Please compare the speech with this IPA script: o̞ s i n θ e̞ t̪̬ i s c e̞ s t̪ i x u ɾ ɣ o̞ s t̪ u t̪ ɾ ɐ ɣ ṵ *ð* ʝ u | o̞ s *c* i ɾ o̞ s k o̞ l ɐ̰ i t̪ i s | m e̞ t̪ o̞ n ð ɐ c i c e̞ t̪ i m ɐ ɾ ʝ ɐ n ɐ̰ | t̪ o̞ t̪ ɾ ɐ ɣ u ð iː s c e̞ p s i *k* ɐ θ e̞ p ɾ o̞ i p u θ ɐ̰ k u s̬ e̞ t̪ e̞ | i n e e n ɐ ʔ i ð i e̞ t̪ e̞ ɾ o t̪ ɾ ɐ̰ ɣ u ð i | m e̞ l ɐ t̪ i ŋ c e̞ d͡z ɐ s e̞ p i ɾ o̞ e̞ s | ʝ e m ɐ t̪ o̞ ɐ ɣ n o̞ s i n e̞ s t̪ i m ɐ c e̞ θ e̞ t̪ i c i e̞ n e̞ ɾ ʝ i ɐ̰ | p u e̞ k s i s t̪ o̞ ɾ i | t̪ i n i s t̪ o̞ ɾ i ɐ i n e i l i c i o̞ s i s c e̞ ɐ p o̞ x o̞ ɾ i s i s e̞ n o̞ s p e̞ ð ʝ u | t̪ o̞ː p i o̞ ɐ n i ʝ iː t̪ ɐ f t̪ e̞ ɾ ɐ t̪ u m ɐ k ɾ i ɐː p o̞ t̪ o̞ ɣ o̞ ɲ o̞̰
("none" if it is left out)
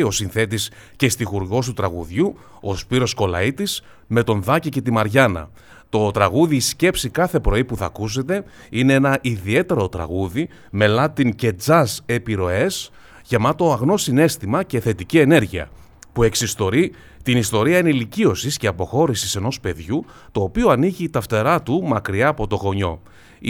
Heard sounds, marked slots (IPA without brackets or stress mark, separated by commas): ð, p, k